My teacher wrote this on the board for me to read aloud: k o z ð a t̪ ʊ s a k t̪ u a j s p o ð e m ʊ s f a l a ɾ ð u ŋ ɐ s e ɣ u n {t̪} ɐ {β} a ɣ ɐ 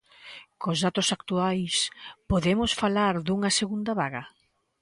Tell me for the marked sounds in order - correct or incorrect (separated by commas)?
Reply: incorrect, correct